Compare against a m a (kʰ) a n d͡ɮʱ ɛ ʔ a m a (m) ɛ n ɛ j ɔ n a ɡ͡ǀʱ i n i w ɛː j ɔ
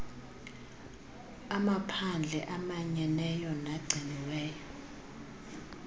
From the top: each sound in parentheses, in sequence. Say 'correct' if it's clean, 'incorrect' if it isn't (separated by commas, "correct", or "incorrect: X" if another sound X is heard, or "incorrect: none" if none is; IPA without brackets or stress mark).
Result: incorrect: pʰ, incorrect: ɲ